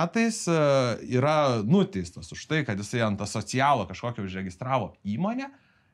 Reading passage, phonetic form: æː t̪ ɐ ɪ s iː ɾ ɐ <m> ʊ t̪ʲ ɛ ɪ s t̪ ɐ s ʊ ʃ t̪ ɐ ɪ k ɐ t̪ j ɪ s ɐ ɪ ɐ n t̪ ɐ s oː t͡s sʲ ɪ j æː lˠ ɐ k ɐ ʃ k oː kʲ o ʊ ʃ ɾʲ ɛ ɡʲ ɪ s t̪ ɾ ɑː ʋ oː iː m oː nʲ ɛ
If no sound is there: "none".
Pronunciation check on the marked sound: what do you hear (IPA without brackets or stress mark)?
n